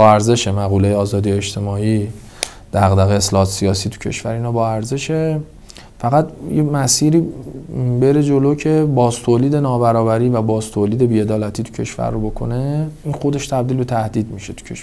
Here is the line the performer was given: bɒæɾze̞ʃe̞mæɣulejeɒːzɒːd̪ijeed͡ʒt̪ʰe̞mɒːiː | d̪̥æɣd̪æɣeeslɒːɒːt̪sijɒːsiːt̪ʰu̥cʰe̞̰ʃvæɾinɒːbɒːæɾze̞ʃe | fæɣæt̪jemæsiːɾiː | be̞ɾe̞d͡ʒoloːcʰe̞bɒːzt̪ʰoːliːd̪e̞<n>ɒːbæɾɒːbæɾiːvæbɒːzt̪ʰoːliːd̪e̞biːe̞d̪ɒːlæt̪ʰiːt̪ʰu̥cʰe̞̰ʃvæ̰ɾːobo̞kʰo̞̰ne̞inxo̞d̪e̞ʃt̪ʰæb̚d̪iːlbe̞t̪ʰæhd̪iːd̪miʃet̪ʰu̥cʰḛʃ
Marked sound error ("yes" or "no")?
no